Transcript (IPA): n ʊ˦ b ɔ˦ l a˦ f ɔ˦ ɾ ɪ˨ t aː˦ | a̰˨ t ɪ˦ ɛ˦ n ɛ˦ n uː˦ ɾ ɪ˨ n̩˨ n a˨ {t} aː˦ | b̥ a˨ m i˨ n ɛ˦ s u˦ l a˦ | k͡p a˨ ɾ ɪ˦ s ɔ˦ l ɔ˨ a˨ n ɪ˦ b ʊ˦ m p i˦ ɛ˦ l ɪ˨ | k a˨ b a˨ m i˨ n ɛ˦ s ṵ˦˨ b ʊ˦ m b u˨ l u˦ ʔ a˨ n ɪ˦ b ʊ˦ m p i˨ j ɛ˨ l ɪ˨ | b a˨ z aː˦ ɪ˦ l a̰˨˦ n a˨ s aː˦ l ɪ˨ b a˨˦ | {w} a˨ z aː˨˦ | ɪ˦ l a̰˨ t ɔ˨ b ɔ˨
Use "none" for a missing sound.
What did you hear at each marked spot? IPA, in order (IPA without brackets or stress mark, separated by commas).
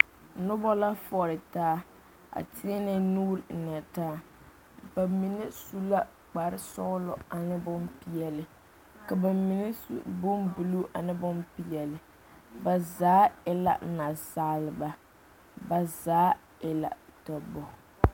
t, b